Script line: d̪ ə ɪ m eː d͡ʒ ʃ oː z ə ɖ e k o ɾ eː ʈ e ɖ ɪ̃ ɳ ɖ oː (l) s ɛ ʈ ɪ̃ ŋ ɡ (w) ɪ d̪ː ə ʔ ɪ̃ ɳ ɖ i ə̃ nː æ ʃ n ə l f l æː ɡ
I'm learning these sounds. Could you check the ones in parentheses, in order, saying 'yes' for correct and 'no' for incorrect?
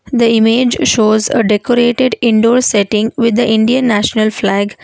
no, no

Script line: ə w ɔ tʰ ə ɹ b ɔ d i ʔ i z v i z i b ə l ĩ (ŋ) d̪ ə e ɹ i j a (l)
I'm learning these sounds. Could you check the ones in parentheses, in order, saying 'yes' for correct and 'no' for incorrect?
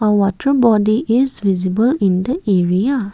no, no

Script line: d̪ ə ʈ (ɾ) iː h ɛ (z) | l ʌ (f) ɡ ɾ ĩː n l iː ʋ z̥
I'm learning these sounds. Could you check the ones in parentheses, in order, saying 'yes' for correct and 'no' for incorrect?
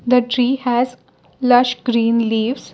yes, yes, no

